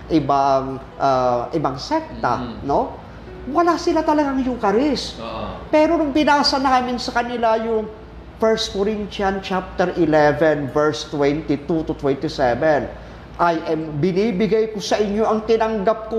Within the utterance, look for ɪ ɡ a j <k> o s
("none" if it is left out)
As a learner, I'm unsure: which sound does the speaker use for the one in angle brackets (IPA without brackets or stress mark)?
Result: k